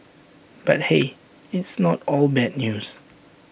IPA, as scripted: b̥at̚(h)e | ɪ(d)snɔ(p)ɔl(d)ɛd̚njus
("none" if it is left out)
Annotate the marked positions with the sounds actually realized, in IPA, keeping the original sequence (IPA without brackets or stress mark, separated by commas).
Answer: h, t, t, b